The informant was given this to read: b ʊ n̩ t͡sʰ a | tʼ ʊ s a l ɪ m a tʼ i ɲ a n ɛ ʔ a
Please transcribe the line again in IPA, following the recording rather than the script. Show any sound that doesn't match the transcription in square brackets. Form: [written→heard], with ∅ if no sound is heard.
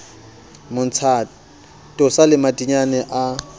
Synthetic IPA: [b→m] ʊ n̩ t͡sʰ a | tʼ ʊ s a l ɪ m a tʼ i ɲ a n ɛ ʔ a